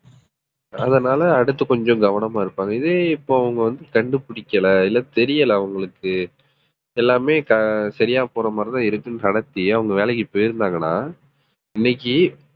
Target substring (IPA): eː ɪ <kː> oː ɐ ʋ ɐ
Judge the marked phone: incorrect: pː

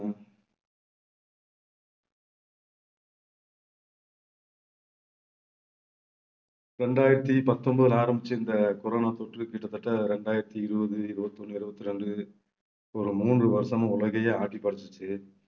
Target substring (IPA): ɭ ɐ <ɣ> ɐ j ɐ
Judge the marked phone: correct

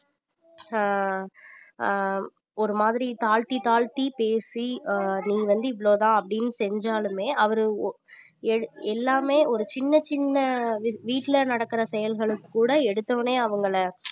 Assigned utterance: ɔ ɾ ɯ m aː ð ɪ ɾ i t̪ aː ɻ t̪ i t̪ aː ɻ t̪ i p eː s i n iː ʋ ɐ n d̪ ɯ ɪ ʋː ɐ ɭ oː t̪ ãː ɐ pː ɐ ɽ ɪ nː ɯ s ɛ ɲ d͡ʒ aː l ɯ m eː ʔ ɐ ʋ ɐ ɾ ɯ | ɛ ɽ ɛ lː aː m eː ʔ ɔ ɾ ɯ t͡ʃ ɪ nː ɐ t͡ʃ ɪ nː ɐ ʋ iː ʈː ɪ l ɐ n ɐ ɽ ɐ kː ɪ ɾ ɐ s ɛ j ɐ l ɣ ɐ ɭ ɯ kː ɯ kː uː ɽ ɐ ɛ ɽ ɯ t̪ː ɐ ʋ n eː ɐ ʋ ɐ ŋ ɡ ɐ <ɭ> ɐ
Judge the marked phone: correct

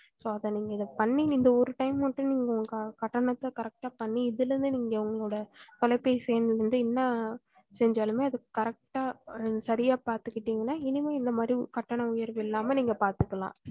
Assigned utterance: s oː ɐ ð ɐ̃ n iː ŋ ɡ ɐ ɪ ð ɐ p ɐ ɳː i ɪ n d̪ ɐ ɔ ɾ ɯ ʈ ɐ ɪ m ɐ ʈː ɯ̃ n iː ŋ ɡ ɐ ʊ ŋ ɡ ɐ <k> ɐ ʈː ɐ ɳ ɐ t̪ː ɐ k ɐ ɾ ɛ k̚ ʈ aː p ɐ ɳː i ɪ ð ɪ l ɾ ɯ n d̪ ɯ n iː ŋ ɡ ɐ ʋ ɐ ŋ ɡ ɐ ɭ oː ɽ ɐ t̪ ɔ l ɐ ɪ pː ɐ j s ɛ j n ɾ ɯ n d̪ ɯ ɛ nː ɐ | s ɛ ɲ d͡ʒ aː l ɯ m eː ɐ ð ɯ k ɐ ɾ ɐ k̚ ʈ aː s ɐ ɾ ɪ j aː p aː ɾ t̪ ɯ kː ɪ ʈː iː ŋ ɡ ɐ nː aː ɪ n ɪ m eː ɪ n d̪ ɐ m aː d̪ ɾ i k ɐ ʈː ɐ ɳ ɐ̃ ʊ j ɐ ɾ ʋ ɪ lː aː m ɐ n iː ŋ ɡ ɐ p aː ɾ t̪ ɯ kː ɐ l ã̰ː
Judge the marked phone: correct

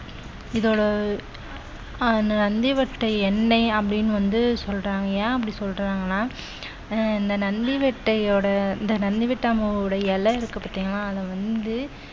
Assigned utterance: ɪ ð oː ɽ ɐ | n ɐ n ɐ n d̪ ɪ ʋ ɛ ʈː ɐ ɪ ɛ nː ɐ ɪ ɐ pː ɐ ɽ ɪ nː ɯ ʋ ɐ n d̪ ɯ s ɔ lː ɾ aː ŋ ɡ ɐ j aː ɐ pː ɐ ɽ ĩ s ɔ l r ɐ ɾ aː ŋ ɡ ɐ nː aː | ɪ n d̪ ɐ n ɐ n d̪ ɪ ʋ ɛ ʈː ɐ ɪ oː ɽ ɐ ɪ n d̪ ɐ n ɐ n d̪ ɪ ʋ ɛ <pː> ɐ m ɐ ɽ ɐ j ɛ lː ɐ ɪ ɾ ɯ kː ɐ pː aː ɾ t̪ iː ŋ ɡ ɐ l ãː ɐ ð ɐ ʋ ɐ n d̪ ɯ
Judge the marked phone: incorrect: ʈː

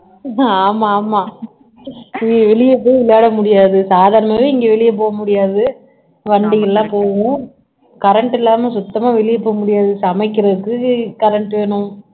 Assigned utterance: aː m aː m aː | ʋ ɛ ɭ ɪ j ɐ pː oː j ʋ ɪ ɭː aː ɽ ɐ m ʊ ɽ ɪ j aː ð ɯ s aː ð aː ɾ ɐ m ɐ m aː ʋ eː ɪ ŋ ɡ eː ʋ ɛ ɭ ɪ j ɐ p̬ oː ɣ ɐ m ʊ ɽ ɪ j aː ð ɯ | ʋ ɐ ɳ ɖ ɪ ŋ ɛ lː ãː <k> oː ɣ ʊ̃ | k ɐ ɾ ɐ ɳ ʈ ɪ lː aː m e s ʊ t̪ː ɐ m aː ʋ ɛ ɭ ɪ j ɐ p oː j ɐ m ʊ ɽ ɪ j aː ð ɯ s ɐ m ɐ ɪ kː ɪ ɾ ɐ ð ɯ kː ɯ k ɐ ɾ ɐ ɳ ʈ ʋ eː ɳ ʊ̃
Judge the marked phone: incorrect: p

